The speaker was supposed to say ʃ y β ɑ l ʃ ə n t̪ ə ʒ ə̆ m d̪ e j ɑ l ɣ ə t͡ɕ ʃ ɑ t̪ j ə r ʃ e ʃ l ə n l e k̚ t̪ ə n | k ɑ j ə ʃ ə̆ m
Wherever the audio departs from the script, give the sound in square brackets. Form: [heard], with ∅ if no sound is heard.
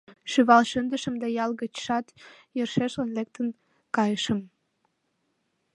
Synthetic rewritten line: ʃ y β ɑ l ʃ ə n [d̪] ə [ʃ] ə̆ m d̪ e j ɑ l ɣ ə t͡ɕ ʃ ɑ t̪ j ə r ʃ e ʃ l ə n l e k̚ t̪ ə n | k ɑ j ə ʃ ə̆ m